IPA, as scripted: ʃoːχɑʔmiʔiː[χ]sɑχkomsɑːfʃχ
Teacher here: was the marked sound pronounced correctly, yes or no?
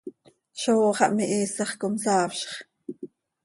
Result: no